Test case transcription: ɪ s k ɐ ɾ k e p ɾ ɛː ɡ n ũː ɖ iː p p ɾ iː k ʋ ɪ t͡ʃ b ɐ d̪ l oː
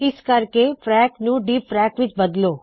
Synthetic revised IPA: ɪ s k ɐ ɾ k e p ɾ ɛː k n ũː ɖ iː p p ɾ ɛː k ʋ ɪ t͡ʃ b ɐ d̪ l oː